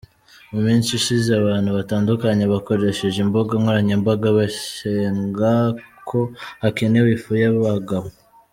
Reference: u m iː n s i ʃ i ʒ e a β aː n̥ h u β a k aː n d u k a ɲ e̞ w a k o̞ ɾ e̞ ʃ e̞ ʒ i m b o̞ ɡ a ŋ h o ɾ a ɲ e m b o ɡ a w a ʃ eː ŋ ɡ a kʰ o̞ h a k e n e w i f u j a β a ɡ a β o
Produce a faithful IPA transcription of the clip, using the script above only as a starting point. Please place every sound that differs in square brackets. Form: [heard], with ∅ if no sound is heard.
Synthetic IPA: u m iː n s i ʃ i [z] e a β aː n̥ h u β a [t] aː n d u k a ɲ e̞ [β] a k o̞ ɾ e̞ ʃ e̞ ʒ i m b o̞ ɡ a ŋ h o ɾ a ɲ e m b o ɡ a [β] a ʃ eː ŋ ɡ a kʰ o̞ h a k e n e w i f u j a β a ɡ a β o